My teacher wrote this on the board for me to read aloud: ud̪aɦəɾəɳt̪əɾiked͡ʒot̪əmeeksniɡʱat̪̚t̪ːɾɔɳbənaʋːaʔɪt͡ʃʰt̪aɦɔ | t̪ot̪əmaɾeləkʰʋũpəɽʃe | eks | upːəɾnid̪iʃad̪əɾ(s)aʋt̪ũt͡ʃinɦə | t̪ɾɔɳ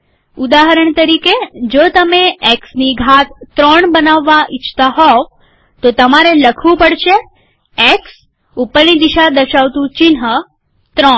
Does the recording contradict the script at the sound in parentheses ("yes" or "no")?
yes